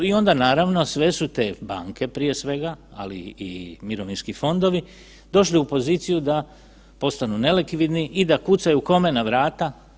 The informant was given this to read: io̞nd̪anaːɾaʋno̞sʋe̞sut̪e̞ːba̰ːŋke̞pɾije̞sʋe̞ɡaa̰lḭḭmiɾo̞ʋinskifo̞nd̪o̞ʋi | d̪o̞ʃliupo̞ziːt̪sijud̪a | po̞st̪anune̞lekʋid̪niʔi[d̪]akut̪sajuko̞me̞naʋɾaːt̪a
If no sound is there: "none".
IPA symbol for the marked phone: d̪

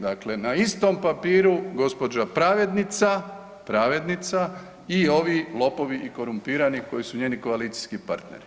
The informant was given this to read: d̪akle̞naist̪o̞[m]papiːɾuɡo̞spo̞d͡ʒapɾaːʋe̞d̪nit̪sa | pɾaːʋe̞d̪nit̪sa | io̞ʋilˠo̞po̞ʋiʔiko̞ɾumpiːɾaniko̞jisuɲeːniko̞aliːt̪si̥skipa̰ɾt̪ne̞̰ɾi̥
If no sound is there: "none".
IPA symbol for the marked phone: m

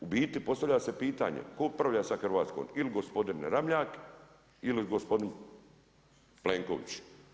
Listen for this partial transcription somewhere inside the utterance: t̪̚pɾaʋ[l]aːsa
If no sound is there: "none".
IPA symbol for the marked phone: ʎ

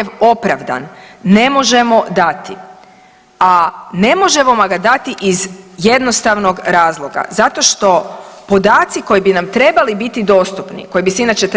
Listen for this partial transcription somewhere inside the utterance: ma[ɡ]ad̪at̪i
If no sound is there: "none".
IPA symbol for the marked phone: ɡ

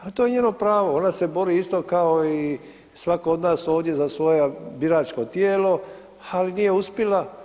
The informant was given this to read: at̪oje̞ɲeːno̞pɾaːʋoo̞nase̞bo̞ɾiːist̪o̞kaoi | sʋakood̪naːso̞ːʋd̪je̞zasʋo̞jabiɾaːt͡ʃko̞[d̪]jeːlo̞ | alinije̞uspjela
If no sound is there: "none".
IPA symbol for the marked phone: t̪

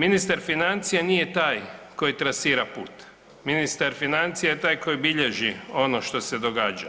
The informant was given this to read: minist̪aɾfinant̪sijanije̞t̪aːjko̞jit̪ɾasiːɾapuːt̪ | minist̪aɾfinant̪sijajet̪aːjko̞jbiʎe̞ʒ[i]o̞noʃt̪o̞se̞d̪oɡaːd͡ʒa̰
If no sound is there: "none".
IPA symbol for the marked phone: i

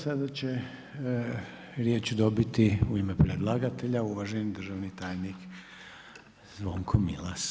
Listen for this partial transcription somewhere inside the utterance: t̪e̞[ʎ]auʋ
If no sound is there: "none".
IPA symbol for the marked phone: ʎ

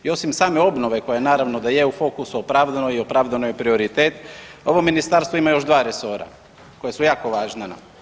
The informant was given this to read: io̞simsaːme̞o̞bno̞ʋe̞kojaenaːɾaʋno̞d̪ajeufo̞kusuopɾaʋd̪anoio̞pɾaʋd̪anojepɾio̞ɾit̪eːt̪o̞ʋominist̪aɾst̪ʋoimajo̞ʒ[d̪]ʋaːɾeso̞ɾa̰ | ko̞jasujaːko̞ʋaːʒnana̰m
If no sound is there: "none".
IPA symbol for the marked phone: d̪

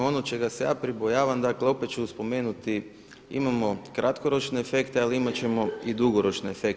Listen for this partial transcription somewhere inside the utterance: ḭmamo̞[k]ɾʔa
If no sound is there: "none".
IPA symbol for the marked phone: k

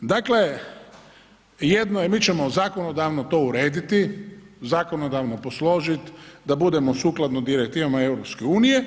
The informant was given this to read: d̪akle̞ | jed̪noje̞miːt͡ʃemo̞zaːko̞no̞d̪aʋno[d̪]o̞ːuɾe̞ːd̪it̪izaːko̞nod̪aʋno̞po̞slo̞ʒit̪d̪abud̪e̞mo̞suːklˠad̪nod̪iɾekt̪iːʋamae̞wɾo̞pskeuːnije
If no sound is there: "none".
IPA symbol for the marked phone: t̪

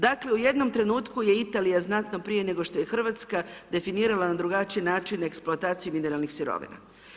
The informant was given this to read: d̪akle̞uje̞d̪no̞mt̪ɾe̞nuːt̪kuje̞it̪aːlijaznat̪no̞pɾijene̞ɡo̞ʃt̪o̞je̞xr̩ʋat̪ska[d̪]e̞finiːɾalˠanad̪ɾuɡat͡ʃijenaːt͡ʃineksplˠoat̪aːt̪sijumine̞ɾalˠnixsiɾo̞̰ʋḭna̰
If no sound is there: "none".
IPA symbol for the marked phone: d̪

